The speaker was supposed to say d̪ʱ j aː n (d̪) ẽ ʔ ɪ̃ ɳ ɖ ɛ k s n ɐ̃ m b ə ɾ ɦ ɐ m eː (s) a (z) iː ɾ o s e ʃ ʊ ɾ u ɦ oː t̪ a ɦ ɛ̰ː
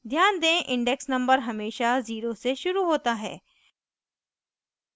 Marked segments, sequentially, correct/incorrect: correct, incorrect, correct

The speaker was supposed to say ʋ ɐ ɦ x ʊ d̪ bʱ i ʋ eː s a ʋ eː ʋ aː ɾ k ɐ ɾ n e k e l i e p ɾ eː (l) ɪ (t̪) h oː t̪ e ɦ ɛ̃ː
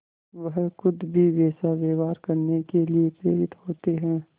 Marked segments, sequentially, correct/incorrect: incorrect, correct

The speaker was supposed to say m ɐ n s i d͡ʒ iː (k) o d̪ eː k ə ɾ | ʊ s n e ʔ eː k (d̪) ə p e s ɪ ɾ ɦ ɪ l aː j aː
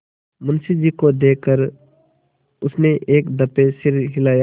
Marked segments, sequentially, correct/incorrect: correct, correct

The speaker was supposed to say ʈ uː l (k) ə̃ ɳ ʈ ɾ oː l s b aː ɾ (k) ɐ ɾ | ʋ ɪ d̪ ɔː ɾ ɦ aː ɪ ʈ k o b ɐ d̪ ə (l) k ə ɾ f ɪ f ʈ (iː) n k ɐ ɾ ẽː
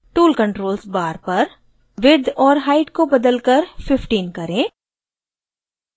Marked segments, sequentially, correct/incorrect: correct, incorrect, correct, correct

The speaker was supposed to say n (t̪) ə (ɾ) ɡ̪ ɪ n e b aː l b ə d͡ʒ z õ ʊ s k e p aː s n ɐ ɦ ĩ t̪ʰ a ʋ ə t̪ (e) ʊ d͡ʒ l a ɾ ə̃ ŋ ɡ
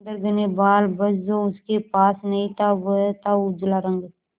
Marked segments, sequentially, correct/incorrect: incorrect, correct, incorrect

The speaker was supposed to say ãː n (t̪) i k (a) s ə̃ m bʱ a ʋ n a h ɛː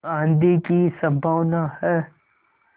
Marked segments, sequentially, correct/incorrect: incorrect, incorrect

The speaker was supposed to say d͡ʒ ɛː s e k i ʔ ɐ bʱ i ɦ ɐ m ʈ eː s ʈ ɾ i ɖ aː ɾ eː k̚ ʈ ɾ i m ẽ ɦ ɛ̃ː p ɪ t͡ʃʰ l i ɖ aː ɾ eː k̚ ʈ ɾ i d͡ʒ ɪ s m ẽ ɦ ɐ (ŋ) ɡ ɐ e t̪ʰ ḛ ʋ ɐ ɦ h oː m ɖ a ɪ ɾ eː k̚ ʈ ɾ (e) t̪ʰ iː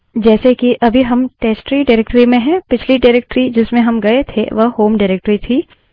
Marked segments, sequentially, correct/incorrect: incorrect, incorrect

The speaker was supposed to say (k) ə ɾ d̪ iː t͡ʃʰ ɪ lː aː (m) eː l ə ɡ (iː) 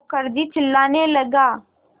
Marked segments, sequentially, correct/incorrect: correct, incorrect, incorrect

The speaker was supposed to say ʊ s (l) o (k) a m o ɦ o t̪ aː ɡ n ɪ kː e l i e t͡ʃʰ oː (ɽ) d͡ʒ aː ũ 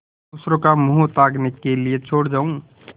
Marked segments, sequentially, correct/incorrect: incorrect, correct, correct

